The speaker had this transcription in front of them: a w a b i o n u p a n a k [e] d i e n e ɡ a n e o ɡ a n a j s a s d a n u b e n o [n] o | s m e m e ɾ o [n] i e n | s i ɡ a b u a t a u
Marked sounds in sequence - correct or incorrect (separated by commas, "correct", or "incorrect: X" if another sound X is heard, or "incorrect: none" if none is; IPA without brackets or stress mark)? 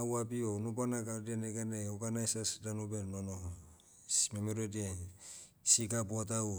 incorrect: a, correct, incorrect: d